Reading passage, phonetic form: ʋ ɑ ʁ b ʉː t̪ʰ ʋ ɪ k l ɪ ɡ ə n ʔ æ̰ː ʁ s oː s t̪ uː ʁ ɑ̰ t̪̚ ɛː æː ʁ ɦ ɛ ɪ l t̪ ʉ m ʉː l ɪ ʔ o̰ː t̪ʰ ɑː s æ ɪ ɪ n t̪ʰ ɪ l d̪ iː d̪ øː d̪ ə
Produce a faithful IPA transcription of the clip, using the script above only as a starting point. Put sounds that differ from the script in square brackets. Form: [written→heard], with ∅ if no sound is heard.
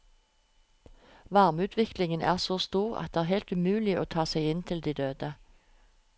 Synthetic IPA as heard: ʋ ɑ ʁ [b→m] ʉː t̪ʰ ʋ ɪ k l ɪ [ɡ→ŋ] ə n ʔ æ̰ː ʁ s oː s t̪ uː ʁ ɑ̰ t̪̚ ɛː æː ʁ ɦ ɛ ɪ l t̪ ʉ m ʉː l ɪ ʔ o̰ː t̪ʰ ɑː s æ ɪ ɪ n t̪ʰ ɪ l d̪ iː d̪ øː d̪ ə